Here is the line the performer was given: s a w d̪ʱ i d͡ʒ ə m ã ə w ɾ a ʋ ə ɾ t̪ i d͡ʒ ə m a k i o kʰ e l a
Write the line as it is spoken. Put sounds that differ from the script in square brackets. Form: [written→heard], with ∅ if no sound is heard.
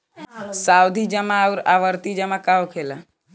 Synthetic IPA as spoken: s a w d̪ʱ i d͡ʒ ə m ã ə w ɾ a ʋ ə ɾ t̪ i d͡ʒ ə m a k [i→a] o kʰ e l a